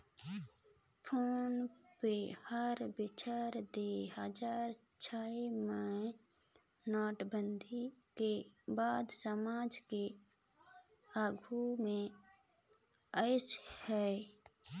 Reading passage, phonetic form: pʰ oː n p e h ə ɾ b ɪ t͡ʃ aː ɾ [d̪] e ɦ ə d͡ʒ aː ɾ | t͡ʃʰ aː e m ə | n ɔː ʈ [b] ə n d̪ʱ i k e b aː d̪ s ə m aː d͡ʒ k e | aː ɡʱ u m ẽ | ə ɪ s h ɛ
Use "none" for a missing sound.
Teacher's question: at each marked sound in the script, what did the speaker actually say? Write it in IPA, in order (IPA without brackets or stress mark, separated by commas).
d̪, b